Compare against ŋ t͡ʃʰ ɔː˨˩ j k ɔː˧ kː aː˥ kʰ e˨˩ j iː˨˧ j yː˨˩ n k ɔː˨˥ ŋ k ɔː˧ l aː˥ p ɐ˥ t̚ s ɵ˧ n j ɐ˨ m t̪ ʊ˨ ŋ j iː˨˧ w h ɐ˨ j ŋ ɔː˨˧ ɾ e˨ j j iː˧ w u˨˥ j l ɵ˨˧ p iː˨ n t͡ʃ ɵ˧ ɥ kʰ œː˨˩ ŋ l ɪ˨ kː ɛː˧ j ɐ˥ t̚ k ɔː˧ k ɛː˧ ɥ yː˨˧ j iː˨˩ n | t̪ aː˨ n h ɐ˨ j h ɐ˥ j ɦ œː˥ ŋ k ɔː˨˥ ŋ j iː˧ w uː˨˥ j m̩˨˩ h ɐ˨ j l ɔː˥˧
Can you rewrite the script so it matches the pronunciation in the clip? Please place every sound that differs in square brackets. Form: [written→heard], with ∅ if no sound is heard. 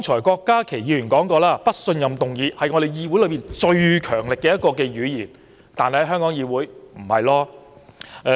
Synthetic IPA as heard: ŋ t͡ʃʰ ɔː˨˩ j k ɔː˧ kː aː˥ kʰ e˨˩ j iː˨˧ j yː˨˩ n k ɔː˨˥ ŋ k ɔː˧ l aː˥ p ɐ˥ t̚ s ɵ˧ n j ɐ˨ m t̪ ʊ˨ ŋ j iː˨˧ [w→∅] h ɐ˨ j ŋ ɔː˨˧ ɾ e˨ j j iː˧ w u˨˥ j l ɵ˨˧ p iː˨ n t͡ʃ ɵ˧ ɥ kʰ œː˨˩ ŋ l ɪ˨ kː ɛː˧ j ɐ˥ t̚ k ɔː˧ k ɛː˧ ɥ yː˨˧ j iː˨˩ n | t̪ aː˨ n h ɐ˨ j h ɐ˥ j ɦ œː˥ ŋ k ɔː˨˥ ŋ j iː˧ w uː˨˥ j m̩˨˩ h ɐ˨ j l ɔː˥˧